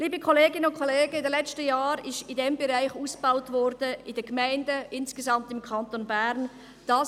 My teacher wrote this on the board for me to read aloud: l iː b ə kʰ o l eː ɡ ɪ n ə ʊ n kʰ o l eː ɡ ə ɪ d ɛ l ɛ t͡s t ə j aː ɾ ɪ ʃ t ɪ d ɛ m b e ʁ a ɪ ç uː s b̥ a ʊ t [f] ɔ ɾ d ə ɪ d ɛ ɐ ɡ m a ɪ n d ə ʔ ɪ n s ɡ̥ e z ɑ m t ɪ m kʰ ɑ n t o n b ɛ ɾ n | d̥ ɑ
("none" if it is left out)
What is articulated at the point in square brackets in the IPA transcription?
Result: v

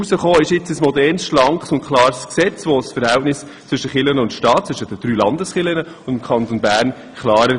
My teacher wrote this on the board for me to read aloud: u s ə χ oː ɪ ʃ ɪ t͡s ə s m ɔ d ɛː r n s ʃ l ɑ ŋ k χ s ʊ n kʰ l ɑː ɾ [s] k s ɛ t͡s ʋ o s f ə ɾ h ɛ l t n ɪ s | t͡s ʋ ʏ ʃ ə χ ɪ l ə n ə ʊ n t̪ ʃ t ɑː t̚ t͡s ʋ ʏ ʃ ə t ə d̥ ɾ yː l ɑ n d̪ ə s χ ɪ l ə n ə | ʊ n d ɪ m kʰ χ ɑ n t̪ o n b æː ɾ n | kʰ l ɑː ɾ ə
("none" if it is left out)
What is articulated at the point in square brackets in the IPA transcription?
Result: s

